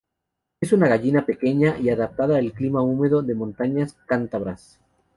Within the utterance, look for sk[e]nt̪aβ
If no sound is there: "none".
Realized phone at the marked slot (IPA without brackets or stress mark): a